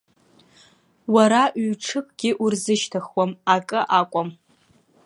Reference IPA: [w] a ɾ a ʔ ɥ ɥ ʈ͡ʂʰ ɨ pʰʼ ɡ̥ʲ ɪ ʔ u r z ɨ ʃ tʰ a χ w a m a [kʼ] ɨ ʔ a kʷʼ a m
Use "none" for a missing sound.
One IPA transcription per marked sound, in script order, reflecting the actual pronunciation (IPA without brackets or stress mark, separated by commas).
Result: w, kʼ